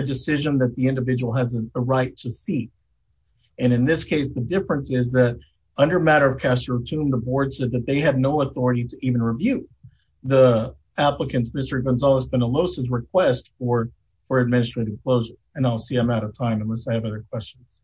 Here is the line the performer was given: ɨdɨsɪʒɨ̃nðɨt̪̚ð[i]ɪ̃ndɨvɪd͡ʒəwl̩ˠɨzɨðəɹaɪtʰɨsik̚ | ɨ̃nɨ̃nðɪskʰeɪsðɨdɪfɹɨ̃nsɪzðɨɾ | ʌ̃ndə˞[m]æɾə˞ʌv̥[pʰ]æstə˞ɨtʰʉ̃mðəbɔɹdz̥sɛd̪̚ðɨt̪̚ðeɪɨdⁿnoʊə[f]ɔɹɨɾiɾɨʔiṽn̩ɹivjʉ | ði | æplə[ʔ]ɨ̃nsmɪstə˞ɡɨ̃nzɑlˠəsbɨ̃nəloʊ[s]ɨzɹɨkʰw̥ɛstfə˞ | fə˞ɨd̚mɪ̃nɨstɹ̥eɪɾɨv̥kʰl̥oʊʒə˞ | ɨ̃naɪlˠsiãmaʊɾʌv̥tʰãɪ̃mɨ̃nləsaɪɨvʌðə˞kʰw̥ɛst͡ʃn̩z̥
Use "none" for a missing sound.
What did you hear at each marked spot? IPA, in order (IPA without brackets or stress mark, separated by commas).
i, m, kʰ, θ, k, s